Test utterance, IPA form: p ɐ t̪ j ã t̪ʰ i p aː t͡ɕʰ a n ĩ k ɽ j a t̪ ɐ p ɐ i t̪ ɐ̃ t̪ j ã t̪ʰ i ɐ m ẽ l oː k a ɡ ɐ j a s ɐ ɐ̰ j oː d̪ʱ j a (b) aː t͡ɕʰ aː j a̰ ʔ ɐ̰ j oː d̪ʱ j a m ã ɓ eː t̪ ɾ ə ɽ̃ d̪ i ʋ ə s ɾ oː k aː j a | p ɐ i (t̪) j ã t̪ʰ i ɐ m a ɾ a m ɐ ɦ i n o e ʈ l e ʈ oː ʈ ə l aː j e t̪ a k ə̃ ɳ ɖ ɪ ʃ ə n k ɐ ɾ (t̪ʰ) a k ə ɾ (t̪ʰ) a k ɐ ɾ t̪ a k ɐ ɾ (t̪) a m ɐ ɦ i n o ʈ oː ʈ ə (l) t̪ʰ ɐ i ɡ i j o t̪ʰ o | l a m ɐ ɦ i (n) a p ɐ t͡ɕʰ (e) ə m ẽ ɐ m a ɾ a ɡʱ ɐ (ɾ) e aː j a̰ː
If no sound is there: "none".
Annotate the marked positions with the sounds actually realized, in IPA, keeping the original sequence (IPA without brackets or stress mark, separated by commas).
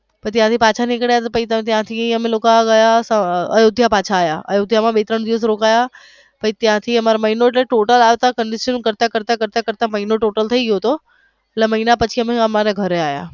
p, t̪, t̪, t̪, t̪, l, n, i, ɾ